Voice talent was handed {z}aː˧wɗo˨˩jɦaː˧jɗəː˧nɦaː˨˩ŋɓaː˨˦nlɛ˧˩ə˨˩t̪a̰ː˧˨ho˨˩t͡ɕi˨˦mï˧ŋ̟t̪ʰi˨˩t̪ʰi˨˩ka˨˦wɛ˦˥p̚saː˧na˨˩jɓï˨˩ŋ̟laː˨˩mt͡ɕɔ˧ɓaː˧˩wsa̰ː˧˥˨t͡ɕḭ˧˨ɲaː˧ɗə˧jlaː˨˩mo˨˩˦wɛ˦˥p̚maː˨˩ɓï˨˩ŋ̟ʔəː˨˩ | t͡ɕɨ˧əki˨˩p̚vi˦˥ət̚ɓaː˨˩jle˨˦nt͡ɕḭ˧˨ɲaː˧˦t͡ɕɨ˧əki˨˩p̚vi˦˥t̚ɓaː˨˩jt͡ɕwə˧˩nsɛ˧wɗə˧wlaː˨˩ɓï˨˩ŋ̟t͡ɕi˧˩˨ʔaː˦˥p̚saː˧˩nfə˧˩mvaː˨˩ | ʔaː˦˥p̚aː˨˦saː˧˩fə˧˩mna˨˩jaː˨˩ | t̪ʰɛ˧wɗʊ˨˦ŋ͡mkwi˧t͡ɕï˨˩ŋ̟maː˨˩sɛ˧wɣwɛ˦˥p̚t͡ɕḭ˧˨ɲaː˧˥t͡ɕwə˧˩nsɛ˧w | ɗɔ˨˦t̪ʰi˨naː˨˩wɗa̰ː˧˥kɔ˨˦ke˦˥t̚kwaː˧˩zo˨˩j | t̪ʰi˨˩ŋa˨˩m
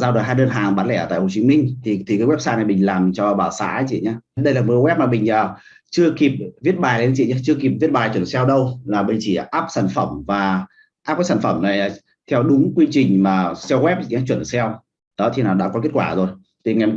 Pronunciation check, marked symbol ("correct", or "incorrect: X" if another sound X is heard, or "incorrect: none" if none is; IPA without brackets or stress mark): correct